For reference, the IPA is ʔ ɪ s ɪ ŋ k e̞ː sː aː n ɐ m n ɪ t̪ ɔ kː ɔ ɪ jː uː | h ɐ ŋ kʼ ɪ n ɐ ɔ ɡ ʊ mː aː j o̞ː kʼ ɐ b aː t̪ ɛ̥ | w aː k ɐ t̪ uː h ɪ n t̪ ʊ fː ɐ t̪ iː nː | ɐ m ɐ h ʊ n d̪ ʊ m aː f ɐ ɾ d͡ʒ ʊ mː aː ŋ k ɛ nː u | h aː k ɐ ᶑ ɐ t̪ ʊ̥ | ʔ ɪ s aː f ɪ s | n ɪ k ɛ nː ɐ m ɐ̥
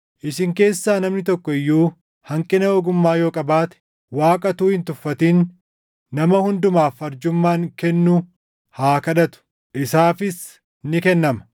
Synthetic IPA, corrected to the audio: ʔ ɪ s ɪ ŋ k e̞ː sː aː n ɐ m n ɪ t̪ ɔ kː ɔ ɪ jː uː | h ɐ ŋ kʼ ɪ n ɐ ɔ ɡ ʊ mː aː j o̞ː kʼ ɐ b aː t̪ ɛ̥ | w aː kʼ ɐ t̪ uː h ɪ n t̪ ʊ fː ɐ t̪ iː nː | ɐ m ɐ h ʊ n d̪ ʊ m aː f ɐ ɾ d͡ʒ ʊ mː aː ŋ k ɛ nː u | h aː k ɐ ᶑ ɐ t̪ ʊ̥ | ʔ ɪ s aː f ɪ s | n ɪ k ɛ nː ɐ m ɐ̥